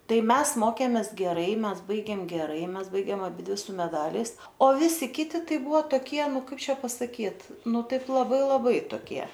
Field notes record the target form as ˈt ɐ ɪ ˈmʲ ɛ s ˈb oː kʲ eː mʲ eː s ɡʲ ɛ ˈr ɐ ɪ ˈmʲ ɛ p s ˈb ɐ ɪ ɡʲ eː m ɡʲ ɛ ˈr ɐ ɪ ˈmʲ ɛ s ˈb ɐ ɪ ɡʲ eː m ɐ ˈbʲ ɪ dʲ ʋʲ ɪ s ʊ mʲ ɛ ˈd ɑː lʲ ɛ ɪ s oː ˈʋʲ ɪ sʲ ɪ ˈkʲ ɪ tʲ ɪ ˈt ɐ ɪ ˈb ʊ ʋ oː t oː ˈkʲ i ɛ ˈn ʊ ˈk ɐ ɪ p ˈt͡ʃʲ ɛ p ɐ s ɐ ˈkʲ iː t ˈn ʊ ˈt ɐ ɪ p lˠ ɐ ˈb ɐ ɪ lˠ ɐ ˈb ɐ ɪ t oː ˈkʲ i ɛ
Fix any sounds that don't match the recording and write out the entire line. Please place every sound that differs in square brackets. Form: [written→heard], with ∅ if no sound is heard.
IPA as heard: ˈt ɐ ɪ ˈmʲ ɛ s [ˈb→ˈm] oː kʲ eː mʲ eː s ɡʲ ɛ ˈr ɐ ɪ ˈmʲ ɛ [p→∅] s ˈb ɐ ɪ ɡʲ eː m ɡʲ ɛ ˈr ɐ ɪ ˈmʲ ɛ s ˈb ɐ ɪ ɡʲ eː m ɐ ˈbʲ ɪ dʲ ʋʲ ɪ s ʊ mʲ ɛ ˈd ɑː lʲ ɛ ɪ s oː ˈʋʲ ɪ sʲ ɪ ˈkʲ ɪ tʲ ɪ ˈt ɐ ɪ ˈb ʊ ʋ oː t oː ˈkʲ i ɛ ˈn ʊ ˈk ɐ ɪ p ˈt͡ʃʲ ɛ p ɐ s ɐ ˈkʲ iː t ˈn ʊ ˈt ɐ ɪ p lˠ ɐ ˈb ɐ ɪ lˠ ɐ ˈb ɐ ɪ t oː ˈkʲ i ɛ

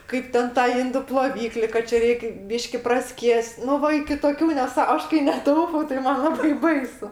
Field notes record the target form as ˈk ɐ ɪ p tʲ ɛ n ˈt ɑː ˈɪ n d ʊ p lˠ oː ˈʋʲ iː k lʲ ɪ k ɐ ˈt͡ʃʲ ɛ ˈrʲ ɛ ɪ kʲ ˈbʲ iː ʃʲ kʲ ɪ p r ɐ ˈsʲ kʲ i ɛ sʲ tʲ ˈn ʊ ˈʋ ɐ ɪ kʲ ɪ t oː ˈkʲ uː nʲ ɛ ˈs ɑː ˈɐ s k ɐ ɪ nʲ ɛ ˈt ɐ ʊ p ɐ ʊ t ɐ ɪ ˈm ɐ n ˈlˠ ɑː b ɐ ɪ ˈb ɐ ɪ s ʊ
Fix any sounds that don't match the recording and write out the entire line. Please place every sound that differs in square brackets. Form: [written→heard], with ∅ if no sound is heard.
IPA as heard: ˈk ɐ ɪ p tʲ ɛ n ˈt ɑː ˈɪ n d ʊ p lˠ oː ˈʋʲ iː k lʲ ɪ k ɐ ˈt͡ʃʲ ɛ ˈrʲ ɛ ɪ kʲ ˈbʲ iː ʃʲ kʲ ɪ p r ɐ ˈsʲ kʲ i ɛ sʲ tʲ ˈn ʊ ˈʋ ɐ ɪ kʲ ɪ t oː ˈkʲ uː nʲ ɛ ˈs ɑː ˈɐ [s→ʃ] k ɐ ɪ nʲ ɛ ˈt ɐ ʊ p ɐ ʊ t ɐ ɪ ˈm ɐ n ˈlˠ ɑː b ɐ ɪ ˈb ɐ ɪ s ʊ

